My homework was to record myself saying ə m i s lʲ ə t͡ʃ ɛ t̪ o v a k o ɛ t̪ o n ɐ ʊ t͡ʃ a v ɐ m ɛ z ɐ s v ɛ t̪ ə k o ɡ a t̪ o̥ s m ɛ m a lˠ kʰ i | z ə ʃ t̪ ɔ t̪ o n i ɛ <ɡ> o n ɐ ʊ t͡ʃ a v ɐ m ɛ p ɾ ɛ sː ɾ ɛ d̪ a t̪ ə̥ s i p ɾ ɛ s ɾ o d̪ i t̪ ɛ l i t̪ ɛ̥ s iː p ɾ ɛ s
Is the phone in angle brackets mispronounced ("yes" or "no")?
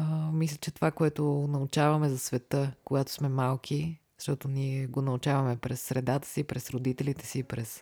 no